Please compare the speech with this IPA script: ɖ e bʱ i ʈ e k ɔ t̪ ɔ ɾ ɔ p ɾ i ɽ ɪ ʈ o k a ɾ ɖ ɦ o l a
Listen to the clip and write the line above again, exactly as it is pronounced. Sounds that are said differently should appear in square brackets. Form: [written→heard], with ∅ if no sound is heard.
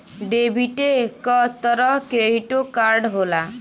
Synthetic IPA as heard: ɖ e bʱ i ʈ e k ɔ t̪ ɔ ɾ ɔ [p→k] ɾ [i→e] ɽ [ɪ→i] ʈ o k a ɾ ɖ ɦ o l a